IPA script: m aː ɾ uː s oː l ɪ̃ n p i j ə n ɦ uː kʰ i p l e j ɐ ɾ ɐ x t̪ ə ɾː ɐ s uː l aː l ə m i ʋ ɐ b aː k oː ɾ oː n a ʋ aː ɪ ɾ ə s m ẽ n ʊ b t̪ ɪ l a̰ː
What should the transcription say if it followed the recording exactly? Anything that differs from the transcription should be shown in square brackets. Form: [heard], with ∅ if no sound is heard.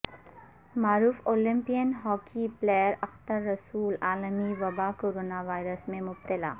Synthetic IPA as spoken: m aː ɾ uː [f] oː l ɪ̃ [m] p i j ə n ɦ [ɔː] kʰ i p l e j [ə] ɾ ɐ x t̪ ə ɾː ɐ s uː l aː l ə m i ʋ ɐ b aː k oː ɾ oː n a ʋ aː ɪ ɾ ə s m ẽ [m] ʊ b t̪ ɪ l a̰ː

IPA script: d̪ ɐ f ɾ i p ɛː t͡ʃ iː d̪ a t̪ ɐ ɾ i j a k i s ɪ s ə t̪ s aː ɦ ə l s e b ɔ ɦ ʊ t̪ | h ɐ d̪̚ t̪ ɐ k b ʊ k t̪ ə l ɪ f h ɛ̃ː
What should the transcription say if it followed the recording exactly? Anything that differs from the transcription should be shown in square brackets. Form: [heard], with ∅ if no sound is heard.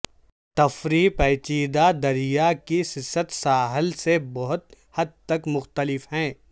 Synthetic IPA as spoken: [t̪] ɐ f ɾ i p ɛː t͡ʃ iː d̪ a [d̪] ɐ ɾ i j a k i s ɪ s ə t̪ s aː ɦ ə l s e b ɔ ɦ ʊ t̪ | h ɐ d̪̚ t̪ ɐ k [m] ʊ [x] t̪ ə l ɪ f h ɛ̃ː

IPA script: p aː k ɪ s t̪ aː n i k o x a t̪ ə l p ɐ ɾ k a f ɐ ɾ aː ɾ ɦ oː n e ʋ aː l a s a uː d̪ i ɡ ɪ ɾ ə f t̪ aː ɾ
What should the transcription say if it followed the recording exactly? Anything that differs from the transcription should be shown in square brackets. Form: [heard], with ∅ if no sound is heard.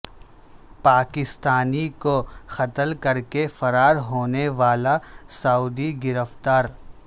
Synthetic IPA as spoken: p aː k ɪ s t̪ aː n i k o x [ɐ] t̪ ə l [k] ɐ ɾ k [e] f ɐ ɾ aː ɾ ɦ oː n e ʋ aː l a s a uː d̪ i ɡ ɪ ɾ ə f t̪ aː ɾ

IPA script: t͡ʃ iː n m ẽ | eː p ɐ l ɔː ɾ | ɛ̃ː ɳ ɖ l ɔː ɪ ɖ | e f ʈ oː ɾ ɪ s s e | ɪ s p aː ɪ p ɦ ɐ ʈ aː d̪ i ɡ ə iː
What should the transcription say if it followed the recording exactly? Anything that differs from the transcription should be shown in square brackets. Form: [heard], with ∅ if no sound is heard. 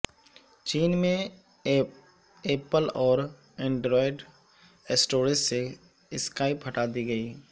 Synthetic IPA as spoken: t͡ʃ iː n m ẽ | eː p [ə] l ɔː ɾ | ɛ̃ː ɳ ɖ [ɾ] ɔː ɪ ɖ | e [s] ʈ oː ɾ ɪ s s e | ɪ s [k] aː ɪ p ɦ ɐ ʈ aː d̪ i ɡ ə iː

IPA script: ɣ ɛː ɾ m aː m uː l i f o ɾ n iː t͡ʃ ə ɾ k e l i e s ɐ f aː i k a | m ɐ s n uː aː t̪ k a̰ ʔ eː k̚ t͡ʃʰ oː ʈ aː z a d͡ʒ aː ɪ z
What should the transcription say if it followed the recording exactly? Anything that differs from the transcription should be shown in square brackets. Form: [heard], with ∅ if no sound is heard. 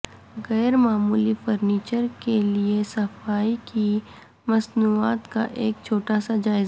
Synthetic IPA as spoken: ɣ ɛː ɾ m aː m uː l i f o ɾ n iː t͡ʃ ə ɾ k e l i e s ɐ f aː i k [i] | m ɐ s n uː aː t̪ k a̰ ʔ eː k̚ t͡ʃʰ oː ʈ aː [s] a d͡ʒ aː ɪ z

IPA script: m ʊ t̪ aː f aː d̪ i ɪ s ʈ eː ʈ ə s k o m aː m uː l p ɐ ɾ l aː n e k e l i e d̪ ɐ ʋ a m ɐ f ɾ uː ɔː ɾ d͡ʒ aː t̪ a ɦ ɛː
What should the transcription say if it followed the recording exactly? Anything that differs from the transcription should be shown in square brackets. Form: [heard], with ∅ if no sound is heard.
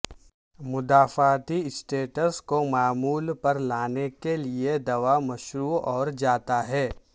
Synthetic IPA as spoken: m ʊ [d̪] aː f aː [t̪] i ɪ s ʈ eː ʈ ə s k o m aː m uː l p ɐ ɾ l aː n e k e l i e d̪ ɐ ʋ a m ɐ [ʃ] ɾ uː ɔː ɾ d͡ʒ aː t̪ a ɦ ɛː

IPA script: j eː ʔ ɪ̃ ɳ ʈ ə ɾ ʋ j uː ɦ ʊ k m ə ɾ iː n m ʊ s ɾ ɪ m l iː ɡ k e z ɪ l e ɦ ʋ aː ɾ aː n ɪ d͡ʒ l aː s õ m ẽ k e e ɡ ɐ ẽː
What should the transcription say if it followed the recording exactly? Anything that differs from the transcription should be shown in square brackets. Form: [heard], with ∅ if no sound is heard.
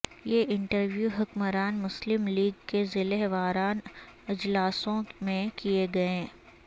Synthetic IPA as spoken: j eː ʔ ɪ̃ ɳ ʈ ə ɾ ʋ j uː ɦ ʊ k m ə ɾ [aː] n m ʊ s [l] ɪ m l iː ɡ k e z ɪ l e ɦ ʋ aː ɾ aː n ɪ d͡ʒ l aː s õ m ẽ k [i] e ɡ ɐ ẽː

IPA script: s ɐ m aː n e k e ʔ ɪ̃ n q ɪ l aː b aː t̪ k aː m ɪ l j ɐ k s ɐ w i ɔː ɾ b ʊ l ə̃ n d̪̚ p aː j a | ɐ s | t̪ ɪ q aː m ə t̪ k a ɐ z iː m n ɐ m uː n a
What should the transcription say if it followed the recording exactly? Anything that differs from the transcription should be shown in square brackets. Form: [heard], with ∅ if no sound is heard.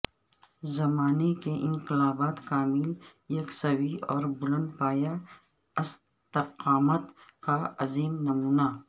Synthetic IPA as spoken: [z] ɐ m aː n e k e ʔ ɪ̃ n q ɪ l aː b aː t̪ k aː m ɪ l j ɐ k s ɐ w i ɔː ɾ b ʊ l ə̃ n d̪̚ p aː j a | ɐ s | t̪ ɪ q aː m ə t̪ k a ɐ z iː m n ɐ m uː n a

